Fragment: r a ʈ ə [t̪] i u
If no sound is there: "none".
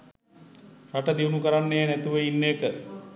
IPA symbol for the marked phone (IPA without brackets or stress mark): d̪